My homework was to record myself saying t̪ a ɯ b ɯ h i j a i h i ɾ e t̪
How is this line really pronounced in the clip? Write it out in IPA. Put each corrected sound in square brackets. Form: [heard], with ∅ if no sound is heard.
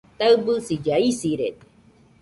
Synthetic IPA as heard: t̪ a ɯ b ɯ [s] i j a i [s] i ɾ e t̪